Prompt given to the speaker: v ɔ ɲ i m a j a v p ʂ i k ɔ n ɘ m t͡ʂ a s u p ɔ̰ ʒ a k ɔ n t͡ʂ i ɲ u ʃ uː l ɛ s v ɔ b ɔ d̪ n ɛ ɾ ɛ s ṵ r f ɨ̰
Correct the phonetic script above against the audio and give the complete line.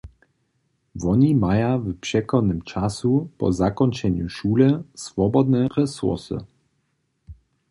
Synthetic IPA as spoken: v ɔ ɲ i m a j a v p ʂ ɛ k ɔ n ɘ m t͡ʂ a s u p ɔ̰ z a k ɔ n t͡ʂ ɛ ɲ u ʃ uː l ɛ s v ɔ b ɔ d̪ n ɛ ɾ ɛ s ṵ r s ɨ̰